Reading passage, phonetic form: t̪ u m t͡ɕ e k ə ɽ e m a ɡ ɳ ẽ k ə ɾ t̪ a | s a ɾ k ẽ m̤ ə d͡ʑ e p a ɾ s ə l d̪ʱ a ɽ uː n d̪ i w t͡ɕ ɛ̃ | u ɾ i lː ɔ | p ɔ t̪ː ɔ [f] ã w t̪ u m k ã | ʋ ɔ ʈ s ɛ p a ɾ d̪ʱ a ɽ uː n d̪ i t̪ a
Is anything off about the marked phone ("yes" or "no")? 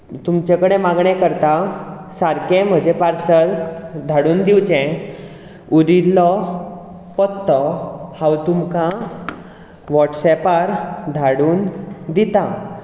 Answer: yes